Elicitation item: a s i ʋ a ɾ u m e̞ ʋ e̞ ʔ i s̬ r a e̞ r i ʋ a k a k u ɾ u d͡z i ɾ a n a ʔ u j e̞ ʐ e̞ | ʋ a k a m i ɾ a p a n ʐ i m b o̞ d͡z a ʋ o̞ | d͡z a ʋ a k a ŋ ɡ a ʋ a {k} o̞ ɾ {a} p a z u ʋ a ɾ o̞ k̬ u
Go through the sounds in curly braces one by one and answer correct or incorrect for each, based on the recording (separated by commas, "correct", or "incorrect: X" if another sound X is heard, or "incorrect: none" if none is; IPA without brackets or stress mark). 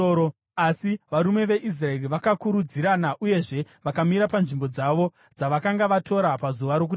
incorrect: t, correct